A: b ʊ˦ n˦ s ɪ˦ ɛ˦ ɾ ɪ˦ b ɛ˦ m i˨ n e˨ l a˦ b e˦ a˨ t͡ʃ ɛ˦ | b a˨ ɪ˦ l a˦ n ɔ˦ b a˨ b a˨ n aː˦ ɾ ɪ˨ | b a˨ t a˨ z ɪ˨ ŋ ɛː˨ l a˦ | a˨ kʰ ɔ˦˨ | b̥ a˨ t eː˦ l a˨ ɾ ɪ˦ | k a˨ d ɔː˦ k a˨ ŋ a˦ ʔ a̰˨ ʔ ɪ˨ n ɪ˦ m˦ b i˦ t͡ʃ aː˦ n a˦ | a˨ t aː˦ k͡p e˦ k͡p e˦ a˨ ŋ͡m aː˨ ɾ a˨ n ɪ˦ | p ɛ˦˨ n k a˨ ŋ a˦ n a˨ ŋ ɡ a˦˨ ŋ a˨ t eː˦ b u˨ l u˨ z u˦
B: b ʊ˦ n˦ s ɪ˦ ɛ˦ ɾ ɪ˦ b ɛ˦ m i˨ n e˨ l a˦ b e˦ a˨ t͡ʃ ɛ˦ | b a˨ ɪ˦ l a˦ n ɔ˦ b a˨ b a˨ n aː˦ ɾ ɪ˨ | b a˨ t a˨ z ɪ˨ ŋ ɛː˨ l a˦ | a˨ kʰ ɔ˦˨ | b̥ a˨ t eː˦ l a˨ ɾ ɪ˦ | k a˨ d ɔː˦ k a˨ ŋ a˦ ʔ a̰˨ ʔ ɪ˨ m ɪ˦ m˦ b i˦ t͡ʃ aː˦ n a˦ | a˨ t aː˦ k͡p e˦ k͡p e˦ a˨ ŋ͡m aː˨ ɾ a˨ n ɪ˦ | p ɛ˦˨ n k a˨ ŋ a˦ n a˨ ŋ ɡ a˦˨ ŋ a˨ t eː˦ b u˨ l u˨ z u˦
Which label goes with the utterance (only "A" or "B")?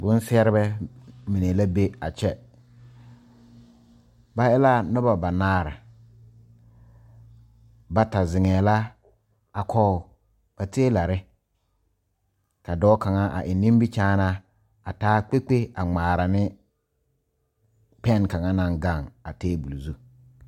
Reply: A